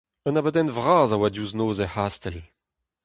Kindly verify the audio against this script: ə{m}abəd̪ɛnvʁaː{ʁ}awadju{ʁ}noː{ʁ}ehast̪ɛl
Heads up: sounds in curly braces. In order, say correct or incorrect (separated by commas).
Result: incorrect, incorrect, incorrect, incorrect